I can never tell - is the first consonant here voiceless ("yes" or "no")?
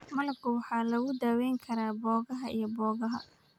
no